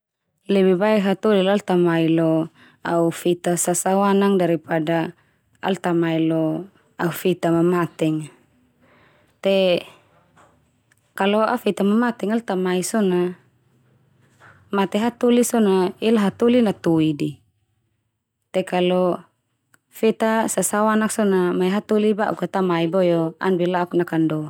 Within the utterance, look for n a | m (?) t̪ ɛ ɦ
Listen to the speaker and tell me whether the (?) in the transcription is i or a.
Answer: a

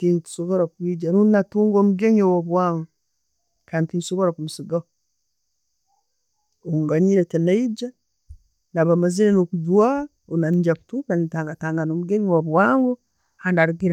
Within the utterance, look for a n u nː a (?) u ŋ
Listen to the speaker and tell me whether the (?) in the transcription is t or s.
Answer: t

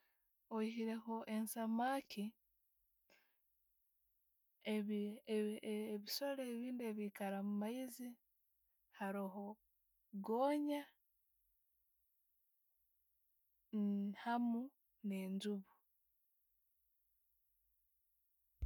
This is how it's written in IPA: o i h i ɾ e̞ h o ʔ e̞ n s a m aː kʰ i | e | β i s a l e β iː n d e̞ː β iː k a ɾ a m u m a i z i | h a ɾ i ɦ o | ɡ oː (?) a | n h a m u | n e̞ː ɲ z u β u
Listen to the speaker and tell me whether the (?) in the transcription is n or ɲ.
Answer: ɲ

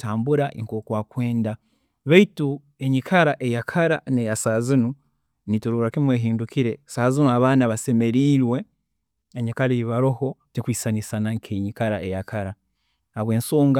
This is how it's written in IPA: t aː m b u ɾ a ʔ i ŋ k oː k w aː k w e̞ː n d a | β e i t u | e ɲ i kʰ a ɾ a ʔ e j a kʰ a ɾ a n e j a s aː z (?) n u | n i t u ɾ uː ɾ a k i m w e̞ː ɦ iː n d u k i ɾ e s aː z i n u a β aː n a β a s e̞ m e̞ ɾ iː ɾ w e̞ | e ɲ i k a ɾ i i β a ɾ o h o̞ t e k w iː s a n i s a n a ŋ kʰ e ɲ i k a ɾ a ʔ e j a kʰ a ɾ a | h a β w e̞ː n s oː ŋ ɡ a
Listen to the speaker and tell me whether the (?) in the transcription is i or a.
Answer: i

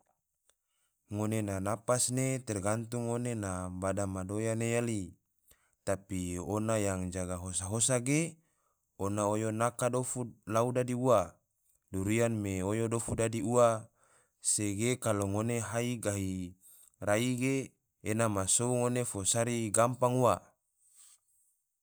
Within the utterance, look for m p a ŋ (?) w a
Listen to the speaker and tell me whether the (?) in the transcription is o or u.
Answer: u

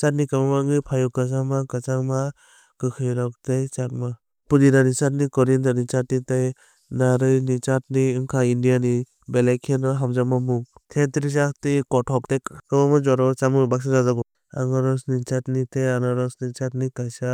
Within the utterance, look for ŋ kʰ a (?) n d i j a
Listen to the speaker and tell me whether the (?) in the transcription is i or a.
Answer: i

